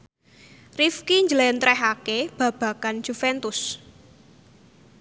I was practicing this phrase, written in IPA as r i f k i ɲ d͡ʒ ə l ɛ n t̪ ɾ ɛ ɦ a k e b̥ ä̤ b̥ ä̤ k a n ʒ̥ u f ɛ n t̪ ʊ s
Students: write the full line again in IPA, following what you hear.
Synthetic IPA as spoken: r i f k i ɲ d͡ʒ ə l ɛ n t̪ ɾ ɛ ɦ a k e b̥ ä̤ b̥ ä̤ k a n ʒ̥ u f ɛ n t̪ ʊ s